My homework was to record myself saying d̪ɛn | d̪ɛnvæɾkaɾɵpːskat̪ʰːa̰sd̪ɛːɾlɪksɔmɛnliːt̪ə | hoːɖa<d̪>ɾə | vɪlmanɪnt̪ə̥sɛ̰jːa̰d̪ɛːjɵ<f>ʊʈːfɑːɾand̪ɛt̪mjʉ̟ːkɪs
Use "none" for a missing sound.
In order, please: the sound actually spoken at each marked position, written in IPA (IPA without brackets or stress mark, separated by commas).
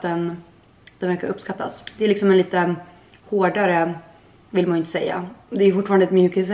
none, f